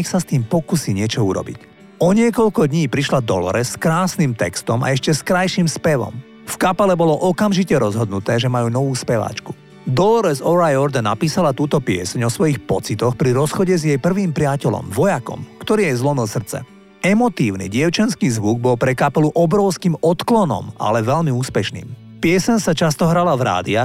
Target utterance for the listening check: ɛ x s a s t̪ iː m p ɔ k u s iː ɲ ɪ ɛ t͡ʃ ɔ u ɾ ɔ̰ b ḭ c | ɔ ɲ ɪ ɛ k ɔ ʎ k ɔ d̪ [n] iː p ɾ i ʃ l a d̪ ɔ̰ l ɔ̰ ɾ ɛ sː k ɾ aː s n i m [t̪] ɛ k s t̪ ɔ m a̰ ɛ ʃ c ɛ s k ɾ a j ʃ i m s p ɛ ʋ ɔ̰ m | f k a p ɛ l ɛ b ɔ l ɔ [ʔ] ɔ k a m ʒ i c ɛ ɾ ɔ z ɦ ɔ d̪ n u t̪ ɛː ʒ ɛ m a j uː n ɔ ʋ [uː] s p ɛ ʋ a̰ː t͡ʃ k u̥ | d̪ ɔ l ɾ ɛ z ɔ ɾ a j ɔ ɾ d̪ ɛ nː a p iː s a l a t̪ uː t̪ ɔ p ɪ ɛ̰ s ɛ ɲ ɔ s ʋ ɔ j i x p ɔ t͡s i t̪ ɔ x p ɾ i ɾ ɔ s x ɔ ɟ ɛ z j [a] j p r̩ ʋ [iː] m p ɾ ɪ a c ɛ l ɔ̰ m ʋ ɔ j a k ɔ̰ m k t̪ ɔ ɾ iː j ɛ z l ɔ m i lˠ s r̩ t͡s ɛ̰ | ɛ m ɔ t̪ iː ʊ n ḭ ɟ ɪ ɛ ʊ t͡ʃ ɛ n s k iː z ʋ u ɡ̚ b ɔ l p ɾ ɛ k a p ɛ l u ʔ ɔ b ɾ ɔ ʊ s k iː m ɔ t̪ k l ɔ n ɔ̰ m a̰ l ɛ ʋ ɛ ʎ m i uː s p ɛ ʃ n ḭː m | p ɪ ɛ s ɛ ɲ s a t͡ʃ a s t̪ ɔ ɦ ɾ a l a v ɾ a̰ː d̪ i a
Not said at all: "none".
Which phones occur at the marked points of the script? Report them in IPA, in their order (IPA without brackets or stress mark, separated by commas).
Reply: ɲ, t̪, ʔ, uː, ɛ, iː